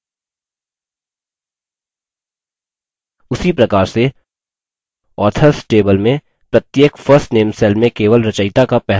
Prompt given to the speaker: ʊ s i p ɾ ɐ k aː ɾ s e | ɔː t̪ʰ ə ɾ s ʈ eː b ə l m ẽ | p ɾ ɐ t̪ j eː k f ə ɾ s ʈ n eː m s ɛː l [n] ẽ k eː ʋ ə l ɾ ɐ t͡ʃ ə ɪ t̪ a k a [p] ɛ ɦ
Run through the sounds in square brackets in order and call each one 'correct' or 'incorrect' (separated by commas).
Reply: incorrect, correct